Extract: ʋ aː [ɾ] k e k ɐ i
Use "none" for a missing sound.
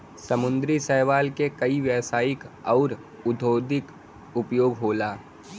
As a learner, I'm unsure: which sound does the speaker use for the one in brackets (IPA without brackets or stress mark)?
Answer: l